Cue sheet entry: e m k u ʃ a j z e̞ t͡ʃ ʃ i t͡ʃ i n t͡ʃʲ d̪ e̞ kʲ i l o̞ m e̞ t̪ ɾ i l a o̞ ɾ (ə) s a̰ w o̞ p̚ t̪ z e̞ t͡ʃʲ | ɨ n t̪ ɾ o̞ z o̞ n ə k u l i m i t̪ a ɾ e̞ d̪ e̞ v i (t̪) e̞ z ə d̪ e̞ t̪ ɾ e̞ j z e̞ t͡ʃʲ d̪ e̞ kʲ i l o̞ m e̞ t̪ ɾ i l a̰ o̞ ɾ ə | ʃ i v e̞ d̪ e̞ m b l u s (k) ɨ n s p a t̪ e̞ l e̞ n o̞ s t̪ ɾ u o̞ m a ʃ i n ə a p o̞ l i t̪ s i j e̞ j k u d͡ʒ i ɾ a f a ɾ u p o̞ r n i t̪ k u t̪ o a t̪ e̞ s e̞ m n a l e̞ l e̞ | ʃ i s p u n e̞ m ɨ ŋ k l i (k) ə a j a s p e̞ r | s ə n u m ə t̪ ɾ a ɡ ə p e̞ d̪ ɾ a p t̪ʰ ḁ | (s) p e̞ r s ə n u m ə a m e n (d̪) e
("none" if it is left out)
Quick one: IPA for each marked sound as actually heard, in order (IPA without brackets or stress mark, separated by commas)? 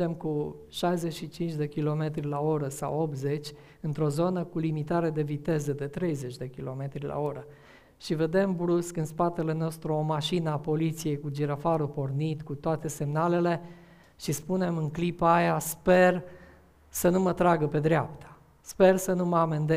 ə, t̪, k, p, s, d̪